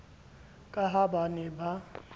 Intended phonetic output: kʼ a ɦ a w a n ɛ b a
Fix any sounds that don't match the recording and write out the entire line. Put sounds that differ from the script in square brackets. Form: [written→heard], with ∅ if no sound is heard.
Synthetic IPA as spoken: kʼ a ɦ a [w→b] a n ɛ b a